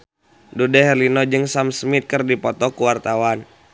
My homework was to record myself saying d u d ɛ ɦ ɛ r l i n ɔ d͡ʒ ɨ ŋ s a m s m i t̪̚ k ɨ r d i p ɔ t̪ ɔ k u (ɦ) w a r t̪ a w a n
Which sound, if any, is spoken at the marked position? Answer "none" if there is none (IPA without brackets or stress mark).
none